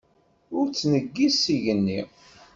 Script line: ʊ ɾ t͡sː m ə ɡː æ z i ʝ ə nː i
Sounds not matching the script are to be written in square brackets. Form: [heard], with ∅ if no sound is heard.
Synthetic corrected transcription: ʊ ɾ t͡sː [n] ə ɡː [i] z i ʝ ə nː i